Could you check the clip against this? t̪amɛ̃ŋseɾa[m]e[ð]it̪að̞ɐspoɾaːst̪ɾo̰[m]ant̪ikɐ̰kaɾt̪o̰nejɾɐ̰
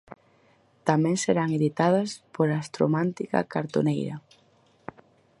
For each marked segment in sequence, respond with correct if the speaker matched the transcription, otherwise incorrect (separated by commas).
incorrect, correct, correct